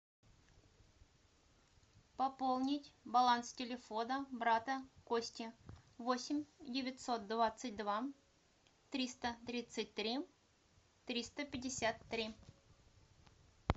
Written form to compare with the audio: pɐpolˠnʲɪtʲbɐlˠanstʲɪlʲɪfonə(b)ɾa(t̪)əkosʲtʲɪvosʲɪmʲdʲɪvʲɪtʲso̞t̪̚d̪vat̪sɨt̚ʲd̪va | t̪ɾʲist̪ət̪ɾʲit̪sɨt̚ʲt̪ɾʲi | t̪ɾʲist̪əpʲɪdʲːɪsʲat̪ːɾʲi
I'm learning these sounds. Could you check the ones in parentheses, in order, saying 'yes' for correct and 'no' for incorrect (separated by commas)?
yes, yes